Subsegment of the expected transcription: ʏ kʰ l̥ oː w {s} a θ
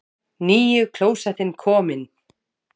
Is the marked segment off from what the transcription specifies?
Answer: no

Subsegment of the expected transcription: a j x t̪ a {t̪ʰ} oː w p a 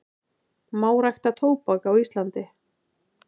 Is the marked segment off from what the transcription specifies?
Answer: no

